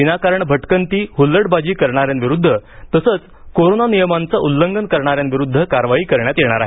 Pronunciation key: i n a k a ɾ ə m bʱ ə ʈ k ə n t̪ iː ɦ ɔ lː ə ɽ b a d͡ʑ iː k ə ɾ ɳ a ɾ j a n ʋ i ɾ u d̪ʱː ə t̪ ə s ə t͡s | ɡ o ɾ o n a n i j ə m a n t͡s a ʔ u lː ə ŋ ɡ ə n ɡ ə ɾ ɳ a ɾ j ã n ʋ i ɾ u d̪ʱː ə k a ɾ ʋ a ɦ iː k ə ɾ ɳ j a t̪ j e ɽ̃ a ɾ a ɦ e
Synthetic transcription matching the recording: i n a k a ɾ ə ɳ bʱ ə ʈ k ə n t̪ iː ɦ u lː ə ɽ b a d͡ʑ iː k ə ɾ ɳ a ɾ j a n ʋ i ɾ u d̪ʱː ə t̪ ə s ə t͡s | k o ɾ o n a n i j ə m a n t͡s a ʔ u lː ə ŋ ɡ ə n k ə ɾ ɳ a ɾ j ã n ʋ i ɾ u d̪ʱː ə k a ɾ ʋ a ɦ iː k ə ɾ ɳ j a t̪ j e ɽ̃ a ɾ a ɦ e